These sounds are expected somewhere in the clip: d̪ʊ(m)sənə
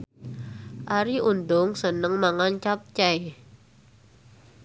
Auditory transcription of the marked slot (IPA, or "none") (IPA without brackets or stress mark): ŋ